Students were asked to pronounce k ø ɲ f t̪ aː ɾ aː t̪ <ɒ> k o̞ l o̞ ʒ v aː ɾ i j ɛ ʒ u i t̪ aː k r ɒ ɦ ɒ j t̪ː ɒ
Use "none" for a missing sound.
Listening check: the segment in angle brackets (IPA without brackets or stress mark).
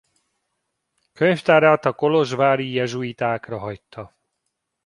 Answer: ɒ